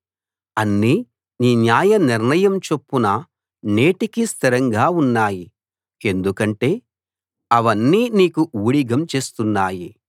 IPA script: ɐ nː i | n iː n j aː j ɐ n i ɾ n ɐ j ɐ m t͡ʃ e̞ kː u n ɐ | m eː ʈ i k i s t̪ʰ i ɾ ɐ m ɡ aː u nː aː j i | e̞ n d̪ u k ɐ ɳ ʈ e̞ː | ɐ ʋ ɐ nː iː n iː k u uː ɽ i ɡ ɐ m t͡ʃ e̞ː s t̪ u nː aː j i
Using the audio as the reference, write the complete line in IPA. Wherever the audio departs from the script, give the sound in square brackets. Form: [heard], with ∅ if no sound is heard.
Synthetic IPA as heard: ɐ nː i | n iː n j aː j ɐ n i ɾ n ɐ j ɐ m t͡ʃ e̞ [pː] u n ɐ | [n] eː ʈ i k i s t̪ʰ i ɾ ɐ [ŋ] ɡ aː u nː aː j i | e̞ n d̪ u k ɐ ɳ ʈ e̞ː | ɐ ʋ ɐ nː iː n iː k u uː ɽ i ɡ ɐ m t͡ʃ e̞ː s t̪ u nː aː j i